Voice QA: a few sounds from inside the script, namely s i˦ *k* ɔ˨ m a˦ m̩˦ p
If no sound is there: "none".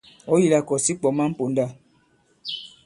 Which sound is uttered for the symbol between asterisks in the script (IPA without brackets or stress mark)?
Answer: k͡p